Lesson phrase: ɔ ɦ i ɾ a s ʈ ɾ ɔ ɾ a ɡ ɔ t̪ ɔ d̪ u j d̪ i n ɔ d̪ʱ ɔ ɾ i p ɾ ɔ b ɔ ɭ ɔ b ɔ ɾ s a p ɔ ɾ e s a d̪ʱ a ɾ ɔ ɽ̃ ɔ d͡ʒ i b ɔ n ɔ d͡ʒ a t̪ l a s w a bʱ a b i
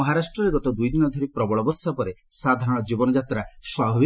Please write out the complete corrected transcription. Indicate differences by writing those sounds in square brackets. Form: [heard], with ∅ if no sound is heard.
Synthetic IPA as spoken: ɔ ɦ [a] ɾ a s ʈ ɾ ɔ ɾ [e] ɡ ɔ t̪ ɔ d̪ u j d̪ i n ɔ d̪ʱ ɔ ɾ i p ɾ ɔ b ɔ ɭ ɔ b ɔ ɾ s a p ɔ ɾ e s a d̪ʱ a ɾ ɔ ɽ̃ ɔ d͡ʒ i b ɔ n ɔ d͡ʒ a t̪ [ɾ] a s w a bʱ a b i